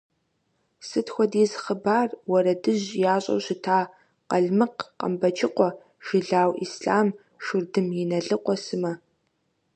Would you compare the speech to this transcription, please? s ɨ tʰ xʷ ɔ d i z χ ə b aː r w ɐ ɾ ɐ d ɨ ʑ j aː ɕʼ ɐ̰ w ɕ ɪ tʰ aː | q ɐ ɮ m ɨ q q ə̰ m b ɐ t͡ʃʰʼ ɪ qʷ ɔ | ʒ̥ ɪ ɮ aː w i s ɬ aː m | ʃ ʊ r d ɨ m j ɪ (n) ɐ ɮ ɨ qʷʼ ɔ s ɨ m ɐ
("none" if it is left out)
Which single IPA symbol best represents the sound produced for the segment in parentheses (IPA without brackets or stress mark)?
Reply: n